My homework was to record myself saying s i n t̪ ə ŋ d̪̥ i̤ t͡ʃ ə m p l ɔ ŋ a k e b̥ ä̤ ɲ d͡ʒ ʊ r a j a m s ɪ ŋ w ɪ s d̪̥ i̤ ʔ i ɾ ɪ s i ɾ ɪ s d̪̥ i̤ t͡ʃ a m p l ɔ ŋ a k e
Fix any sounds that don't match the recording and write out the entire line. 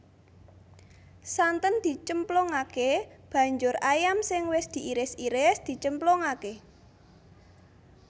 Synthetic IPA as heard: s a n t̪ ə n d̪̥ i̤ t͡ʃ ə m p l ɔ ŋ a k e b̥ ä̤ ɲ d͡ʒ ʊ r a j a m s ɪ ŋ w ɪ s d̪̥ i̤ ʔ i ɾ ɪ s i ɾ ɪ s d̪̥ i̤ t͡ʃ ə m p l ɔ ŋ a k e